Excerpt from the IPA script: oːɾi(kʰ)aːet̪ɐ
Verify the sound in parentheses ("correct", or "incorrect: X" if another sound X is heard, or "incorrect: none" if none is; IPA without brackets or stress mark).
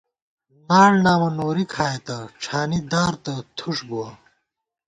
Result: correct